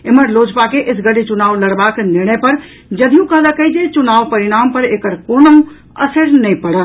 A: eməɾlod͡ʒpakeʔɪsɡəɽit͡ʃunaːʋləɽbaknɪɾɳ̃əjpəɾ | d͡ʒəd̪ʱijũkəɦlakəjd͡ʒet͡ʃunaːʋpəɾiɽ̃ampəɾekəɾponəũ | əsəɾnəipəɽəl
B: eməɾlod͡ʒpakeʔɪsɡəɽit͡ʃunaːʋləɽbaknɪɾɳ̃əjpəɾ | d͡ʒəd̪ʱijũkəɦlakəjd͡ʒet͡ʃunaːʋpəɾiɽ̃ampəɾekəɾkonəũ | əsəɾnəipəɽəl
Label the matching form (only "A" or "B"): B